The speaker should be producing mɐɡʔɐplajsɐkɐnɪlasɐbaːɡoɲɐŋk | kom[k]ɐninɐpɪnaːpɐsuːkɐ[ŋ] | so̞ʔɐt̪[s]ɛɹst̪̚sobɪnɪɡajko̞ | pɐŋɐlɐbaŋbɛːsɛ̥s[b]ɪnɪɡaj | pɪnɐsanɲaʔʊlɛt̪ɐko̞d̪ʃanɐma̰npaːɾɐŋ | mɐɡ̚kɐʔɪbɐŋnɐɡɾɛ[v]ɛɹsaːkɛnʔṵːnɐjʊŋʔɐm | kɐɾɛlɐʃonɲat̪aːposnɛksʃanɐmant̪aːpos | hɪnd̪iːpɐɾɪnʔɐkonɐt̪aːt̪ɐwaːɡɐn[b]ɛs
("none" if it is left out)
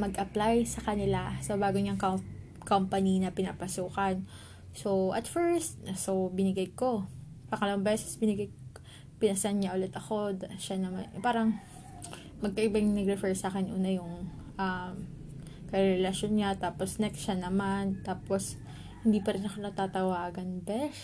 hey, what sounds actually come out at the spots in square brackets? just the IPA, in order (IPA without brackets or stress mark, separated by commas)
p, n, f, b, f, b